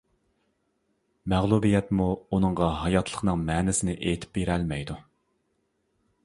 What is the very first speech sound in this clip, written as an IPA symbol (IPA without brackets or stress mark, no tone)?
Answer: m